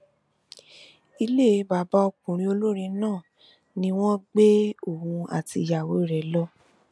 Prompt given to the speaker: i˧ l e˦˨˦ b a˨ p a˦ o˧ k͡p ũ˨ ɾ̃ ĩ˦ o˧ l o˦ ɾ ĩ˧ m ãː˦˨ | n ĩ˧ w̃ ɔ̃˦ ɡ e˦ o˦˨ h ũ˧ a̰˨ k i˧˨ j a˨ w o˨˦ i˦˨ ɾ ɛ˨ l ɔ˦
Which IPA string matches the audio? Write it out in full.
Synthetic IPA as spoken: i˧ l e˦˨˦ b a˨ b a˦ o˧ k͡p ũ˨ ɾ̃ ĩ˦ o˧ l o˦ ɾ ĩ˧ n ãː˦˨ | n ĩ˧ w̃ ɔ̃˦ ɡ͡b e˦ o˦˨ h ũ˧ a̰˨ t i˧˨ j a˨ w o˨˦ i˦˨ ɾ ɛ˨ l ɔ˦